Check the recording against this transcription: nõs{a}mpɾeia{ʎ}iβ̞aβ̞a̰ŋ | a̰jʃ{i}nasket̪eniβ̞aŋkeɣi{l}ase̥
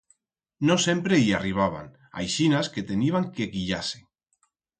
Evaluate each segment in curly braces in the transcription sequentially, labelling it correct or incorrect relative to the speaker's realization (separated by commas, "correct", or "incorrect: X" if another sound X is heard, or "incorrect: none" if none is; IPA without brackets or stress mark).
incorrect: e, incorrect: r, correct, incorrect: ʎ